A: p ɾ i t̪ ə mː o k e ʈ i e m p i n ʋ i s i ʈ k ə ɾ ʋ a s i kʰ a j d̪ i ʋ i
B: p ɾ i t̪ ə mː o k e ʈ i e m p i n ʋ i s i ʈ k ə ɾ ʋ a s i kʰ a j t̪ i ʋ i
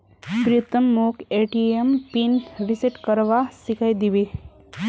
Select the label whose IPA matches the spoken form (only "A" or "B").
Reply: A